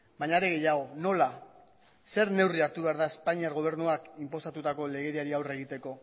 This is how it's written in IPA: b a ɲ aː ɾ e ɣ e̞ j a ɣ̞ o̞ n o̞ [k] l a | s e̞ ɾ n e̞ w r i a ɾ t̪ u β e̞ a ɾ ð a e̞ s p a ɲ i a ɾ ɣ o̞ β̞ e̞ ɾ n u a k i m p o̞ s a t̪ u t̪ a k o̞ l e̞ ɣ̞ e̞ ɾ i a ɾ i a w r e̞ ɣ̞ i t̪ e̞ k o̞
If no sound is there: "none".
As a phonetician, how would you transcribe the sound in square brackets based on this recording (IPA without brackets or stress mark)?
none